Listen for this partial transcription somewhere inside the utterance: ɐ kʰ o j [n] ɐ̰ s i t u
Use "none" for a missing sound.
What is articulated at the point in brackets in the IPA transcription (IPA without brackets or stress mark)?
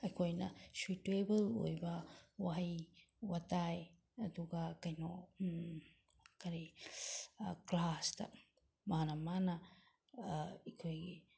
n